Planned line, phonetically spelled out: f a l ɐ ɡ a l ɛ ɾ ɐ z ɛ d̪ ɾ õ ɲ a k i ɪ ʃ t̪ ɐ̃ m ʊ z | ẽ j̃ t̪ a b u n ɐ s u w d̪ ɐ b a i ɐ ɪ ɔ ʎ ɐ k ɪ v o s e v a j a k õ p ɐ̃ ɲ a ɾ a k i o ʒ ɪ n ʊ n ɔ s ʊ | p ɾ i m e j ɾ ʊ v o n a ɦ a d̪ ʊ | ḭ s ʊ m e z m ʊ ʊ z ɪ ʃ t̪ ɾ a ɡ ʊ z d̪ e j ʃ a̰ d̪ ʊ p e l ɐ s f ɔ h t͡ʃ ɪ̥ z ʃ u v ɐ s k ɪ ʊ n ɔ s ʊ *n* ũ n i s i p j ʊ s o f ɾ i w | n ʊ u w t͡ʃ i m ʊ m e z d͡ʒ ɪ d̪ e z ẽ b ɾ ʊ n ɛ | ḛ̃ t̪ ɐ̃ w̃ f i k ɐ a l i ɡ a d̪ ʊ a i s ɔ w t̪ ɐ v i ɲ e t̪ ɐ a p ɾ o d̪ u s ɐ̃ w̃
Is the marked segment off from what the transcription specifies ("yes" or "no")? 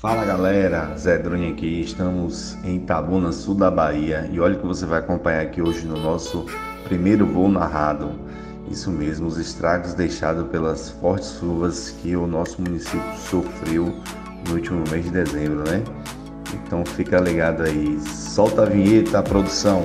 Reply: yes